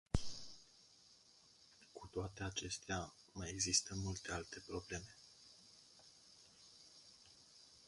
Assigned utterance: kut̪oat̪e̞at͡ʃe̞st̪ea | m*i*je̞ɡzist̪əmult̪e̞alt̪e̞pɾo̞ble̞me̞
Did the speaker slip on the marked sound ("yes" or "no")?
yes